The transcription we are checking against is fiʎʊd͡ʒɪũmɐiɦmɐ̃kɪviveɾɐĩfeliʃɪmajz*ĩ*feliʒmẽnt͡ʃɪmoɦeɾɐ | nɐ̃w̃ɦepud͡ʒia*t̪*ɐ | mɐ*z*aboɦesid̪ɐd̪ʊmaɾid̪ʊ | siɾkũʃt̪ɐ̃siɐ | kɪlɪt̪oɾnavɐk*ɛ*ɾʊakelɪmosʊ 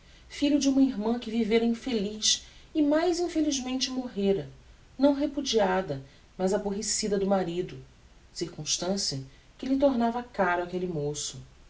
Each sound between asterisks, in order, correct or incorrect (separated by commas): correct, incorrect, correct, incorrect